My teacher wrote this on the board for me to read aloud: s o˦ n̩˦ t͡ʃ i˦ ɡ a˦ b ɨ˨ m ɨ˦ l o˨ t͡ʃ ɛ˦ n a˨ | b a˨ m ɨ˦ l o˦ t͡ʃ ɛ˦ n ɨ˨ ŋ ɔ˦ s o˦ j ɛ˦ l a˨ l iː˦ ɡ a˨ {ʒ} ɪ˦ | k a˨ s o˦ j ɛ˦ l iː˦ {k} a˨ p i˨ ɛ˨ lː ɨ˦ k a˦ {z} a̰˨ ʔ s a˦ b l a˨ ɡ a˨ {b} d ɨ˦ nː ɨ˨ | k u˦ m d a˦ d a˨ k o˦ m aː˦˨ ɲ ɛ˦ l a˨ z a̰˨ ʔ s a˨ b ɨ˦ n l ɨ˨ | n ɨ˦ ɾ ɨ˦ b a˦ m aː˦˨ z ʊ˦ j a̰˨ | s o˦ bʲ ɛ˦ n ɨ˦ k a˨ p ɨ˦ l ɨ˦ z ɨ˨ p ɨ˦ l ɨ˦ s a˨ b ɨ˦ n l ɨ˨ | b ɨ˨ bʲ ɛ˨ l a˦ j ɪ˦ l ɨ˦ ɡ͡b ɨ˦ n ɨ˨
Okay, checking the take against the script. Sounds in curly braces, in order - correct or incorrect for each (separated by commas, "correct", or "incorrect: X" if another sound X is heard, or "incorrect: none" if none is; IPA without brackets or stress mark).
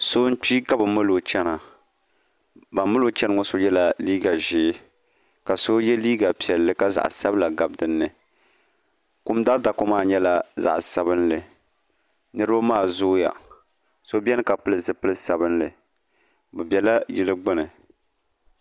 correct, incorrect: ɡ, correct, correct